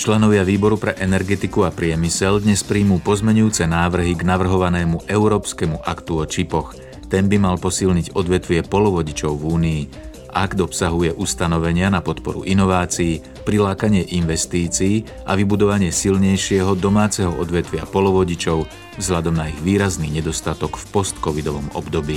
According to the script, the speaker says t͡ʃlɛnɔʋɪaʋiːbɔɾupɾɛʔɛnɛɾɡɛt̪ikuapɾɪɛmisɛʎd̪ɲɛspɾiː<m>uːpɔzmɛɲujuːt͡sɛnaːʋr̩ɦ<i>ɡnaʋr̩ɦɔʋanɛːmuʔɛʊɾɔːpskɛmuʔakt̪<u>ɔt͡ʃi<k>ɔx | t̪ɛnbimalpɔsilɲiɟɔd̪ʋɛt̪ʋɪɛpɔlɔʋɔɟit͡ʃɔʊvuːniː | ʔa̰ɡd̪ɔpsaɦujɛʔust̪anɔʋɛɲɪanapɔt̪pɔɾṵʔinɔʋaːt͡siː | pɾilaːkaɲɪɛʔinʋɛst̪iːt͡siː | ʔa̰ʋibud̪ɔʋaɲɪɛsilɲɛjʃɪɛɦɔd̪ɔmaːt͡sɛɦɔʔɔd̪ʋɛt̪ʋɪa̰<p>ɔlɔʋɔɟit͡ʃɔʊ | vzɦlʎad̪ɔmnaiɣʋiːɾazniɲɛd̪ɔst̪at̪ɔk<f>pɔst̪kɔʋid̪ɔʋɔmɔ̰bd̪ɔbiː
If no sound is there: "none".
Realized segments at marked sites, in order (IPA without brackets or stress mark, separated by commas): m, i, u, p, p, f